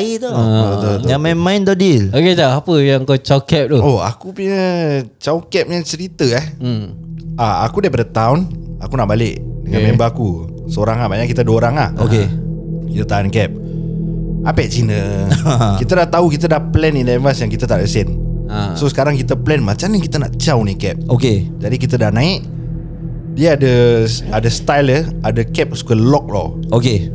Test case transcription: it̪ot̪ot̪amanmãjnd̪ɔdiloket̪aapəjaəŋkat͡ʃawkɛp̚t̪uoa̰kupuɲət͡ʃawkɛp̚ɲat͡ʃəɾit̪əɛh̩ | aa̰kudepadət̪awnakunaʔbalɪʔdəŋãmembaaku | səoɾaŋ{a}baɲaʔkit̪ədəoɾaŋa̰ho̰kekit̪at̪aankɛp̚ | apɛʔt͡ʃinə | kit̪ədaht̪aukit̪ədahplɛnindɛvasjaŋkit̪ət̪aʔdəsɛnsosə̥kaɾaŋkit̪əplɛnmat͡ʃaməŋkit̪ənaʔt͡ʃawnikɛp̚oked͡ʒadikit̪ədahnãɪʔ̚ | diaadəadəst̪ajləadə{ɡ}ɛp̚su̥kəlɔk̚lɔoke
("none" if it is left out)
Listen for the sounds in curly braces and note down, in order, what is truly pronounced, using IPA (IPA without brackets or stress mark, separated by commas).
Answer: a, k